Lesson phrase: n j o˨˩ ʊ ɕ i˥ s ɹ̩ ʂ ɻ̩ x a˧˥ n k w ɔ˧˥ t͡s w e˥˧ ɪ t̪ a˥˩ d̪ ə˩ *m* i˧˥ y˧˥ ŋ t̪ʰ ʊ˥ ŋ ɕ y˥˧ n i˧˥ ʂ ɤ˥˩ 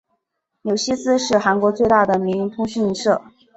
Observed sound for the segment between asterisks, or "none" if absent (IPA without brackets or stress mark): m